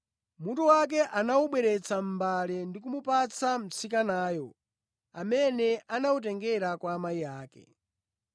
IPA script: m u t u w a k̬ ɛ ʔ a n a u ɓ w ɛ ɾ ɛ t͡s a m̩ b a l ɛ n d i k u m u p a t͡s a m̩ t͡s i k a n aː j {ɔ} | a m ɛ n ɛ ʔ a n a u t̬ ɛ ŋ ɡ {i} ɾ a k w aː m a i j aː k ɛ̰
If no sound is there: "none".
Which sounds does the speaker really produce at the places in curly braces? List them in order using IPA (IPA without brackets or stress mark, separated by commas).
ɔ, ɛ